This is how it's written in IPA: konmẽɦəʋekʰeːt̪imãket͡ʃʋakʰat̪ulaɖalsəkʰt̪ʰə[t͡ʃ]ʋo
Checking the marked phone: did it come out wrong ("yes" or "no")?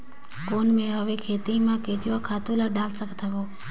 yes